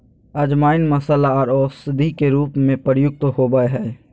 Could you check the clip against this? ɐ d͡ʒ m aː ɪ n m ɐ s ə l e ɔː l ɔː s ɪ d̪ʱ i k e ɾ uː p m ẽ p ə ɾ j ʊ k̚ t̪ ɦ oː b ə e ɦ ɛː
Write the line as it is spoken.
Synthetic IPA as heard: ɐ d͡ʒ m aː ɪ n m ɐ s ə l a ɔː ɾ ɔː s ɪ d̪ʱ i k e ɾ uː p m ẽ p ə ɾ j ʊ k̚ t̪ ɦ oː b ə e ɦ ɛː